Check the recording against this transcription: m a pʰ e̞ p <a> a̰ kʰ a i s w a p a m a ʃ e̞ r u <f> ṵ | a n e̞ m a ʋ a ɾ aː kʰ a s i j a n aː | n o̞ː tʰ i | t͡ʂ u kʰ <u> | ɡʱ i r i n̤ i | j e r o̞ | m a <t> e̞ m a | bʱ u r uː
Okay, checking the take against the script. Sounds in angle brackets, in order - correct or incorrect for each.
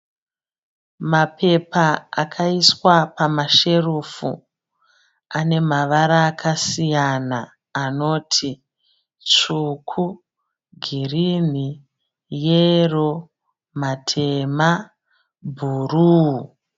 correct, correct, correct, incorrect

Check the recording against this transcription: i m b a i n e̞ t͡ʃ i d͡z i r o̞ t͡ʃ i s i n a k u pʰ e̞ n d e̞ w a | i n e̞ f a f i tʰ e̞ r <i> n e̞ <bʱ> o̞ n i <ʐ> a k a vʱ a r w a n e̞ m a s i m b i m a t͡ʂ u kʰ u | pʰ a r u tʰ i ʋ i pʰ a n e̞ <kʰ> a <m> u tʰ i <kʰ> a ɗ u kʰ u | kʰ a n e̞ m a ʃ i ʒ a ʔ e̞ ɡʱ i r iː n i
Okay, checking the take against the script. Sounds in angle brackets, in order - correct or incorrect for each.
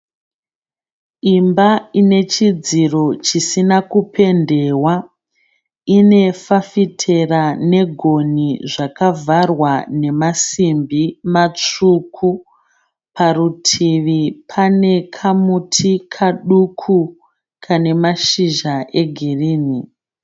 incorrect, incorrect, correct, correct, correct, correct

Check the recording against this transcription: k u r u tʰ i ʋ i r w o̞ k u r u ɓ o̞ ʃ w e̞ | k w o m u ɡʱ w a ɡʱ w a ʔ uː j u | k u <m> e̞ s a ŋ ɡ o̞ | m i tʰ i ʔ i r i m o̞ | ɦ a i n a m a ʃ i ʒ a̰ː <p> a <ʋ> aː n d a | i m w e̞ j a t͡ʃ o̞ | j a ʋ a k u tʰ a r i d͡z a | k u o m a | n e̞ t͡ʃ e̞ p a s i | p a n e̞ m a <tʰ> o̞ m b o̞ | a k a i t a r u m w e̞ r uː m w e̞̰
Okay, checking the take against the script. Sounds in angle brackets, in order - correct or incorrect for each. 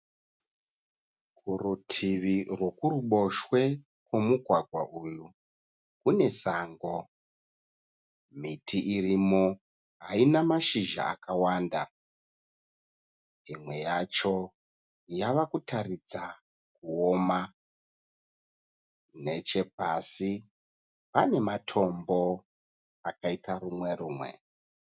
incorrect, incorrect, incorrect, correct

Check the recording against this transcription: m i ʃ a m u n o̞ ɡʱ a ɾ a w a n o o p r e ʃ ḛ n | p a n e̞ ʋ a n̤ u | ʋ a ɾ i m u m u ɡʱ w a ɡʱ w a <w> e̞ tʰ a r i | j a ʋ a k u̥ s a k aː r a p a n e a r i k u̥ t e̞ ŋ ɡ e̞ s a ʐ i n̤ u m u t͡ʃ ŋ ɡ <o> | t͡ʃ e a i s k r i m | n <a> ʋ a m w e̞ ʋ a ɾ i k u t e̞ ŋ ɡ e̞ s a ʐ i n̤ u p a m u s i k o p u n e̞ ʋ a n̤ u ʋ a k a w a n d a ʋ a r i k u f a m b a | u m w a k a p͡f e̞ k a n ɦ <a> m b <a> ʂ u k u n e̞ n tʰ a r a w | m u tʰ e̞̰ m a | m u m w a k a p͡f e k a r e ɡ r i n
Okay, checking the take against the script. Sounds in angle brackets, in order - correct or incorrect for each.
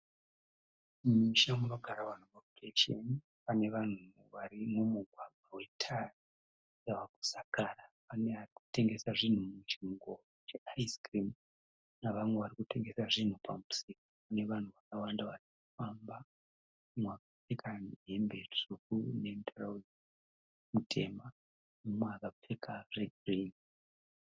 correct, correct, correct, incorrect, incorrect

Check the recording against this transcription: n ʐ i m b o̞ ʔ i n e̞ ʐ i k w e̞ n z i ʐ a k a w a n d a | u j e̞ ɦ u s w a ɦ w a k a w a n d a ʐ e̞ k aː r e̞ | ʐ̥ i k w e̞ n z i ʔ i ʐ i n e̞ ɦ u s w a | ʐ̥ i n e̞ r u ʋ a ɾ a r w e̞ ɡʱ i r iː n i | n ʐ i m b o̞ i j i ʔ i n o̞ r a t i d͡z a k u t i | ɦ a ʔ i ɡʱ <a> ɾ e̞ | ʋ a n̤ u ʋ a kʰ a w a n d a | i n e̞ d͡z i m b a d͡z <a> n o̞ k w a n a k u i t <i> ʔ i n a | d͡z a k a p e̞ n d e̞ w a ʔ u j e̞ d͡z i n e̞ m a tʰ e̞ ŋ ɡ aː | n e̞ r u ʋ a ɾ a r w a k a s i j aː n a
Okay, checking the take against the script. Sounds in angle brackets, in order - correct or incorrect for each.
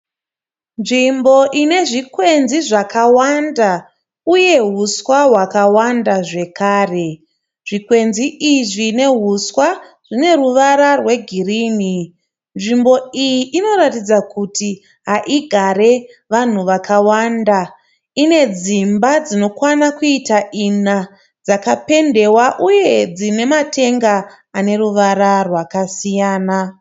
correct, incorrect, incorrect

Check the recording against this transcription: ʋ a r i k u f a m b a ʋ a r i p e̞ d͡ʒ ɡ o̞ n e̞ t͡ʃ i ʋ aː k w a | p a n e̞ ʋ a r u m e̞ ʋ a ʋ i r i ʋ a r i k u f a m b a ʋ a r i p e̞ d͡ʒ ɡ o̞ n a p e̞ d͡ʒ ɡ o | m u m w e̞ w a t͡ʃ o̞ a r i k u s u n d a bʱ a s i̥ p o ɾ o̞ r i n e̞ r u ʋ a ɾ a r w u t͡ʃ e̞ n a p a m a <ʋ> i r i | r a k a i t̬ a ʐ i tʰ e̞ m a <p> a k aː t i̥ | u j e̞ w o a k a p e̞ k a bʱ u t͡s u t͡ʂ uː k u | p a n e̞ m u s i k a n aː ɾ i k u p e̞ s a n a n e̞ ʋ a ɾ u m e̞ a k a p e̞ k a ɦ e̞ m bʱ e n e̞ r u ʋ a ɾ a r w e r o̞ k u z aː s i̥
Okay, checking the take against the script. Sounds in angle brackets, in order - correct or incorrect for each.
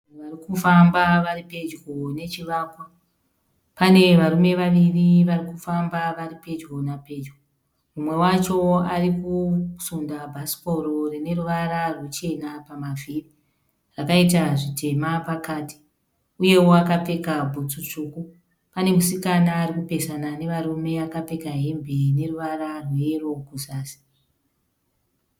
incorrect, correct

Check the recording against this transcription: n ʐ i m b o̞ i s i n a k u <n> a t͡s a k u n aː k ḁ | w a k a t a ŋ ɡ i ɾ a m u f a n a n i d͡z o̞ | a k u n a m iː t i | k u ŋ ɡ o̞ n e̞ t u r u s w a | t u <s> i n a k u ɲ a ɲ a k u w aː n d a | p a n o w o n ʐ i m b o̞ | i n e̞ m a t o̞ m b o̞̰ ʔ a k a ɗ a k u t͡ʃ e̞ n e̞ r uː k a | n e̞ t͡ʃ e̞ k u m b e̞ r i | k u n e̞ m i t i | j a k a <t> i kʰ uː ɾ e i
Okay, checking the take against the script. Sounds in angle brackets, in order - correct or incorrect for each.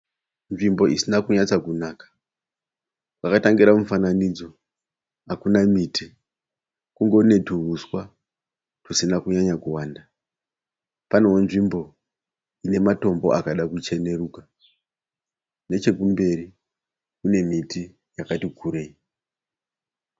incorrect, correct, correct

